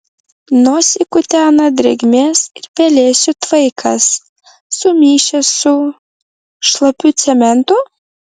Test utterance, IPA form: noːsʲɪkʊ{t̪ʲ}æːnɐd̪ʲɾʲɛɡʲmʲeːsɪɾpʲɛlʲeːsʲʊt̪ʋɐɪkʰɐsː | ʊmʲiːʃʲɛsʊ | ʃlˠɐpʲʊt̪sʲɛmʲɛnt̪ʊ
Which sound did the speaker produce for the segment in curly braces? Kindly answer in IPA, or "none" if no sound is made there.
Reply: t̪ʲ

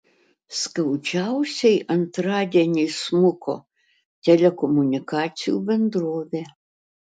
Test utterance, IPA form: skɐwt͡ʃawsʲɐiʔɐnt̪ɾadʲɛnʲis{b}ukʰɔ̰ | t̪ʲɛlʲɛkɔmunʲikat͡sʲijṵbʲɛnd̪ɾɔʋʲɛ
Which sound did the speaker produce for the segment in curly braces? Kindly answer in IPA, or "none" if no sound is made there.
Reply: m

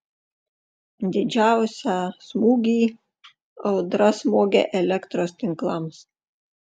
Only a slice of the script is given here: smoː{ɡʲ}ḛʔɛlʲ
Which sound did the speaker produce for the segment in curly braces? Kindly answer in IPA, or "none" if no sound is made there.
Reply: ɡʲ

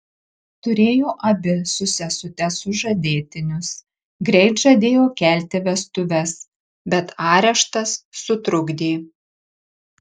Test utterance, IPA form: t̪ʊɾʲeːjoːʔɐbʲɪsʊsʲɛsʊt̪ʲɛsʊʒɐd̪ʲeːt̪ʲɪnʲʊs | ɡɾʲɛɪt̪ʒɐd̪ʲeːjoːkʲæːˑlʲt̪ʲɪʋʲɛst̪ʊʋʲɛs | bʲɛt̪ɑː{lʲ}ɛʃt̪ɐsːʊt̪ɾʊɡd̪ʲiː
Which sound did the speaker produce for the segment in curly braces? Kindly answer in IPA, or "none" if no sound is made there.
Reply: ɾʲ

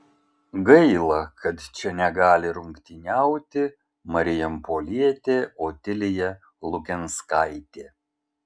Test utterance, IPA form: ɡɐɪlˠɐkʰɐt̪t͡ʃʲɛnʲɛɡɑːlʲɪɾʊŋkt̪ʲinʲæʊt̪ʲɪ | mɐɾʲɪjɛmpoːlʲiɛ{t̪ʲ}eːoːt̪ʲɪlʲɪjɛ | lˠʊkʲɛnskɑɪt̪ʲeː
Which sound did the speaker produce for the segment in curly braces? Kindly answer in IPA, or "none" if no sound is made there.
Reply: t̪ʲ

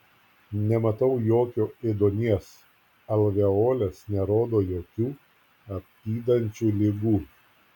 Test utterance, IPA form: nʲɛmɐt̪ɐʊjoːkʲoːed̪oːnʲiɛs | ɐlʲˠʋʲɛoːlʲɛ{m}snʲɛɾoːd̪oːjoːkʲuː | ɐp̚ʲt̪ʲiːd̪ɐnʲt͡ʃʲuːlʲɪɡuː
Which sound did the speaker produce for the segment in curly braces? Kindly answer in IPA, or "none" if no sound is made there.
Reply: none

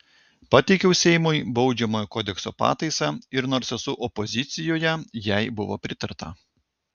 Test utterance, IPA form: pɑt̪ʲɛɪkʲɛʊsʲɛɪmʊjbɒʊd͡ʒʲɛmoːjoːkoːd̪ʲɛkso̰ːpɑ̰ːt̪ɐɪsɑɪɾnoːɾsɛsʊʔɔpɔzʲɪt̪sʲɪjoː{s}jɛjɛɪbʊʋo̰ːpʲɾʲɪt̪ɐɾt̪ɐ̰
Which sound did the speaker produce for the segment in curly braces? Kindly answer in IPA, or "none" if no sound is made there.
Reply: none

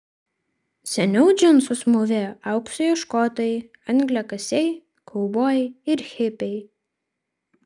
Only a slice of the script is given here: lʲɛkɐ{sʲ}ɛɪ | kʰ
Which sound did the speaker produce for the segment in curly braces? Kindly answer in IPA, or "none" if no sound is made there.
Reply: sʲ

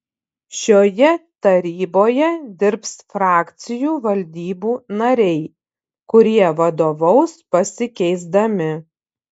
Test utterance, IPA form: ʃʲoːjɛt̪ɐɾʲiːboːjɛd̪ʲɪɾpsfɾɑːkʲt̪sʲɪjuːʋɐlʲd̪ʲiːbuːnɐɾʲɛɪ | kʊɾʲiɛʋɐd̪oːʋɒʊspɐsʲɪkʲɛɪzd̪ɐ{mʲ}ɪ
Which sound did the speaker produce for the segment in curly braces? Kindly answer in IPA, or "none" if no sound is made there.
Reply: mʲ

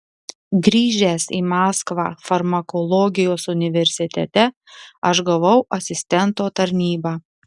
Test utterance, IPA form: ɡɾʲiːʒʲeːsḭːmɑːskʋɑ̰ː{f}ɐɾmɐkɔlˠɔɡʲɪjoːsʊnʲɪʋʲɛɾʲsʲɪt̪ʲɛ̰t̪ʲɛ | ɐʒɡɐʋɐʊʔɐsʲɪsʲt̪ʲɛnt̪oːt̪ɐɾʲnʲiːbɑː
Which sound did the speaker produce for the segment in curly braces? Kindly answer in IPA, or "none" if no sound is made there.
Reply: f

